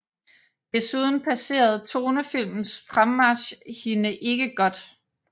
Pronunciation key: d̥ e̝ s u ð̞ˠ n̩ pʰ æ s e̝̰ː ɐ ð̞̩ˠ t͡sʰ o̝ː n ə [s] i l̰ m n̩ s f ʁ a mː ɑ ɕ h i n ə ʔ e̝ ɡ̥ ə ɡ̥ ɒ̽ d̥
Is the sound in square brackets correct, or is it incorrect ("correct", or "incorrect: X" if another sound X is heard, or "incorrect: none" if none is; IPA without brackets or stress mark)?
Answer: incorrect: f